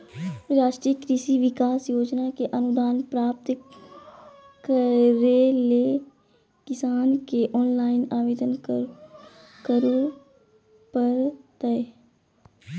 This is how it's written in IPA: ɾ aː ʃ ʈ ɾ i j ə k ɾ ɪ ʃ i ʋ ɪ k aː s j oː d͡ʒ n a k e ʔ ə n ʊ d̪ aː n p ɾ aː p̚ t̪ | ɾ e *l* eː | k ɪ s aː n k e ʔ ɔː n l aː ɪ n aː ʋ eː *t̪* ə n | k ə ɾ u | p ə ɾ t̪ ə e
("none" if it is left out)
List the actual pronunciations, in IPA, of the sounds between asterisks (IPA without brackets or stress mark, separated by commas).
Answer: l, d̪